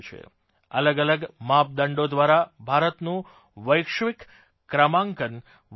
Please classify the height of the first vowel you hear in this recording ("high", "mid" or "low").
mid